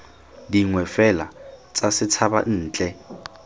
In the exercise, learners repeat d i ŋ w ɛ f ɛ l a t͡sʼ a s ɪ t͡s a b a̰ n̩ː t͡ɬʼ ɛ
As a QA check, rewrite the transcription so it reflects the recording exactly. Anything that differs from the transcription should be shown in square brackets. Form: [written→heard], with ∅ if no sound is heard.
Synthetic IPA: d i ŋ w ɛ f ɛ l a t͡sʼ a s ɪ [t͡s→t͡sʰ] a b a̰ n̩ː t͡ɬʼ ɛ